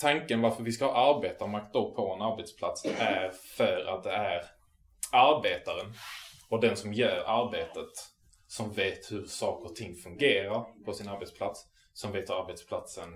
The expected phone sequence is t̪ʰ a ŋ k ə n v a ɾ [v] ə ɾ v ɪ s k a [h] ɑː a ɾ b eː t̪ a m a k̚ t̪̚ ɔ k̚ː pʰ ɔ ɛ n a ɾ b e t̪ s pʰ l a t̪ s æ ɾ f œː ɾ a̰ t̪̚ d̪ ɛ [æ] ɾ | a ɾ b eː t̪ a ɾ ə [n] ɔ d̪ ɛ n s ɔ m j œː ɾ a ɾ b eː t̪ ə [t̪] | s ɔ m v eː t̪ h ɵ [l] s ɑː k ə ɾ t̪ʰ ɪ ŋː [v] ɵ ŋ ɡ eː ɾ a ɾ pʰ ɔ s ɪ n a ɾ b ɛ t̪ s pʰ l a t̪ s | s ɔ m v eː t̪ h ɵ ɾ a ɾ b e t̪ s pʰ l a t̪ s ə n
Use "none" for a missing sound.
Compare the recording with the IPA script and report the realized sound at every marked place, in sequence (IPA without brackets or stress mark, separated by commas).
f, h, æ, n, t̪, ɾ, f